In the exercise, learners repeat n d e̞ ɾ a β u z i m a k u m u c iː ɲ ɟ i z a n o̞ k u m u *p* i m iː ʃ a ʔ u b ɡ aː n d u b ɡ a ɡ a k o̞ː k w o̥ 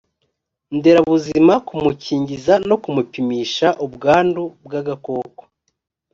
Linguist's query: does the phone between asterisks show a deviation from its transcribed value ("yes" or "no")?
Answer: no